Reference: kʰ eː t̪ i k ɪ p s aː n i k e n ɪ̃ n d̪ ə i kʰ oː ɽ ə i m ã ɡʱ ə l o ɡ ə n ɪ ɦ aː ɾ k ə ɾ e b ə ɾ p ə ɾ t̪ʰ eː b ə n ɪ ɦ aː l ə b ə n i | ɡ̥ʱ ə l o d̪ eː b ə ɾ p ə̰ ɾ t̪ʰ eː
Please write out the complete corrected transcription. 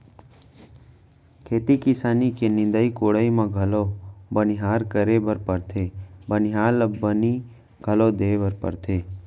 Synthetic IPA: kʰ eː t̪ i k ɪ s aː n i k e n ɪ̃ n d̪ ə i k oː ɽ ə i m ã ɡʱ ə l o b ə n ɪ ɦ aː ɾ k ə ɾ e b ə ɾ p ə ɾ t̪ʰ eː b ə n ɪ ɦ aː l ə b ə n i | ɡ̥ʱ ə l o d̪ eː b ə ɾ p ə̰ ɾ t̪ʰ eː